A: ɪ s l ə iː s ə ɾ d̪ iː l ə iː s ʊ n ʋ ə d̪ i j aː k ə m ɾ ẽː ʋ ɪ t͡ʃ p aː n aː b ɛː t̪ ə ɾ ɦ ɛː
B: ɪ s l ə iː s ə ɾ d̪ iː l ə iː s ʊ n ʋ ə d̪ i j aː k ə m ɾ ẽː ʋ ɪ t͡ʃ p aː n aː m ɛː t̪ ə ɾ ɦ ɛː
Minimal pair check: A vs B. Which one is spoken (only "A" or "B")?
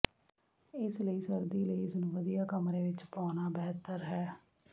A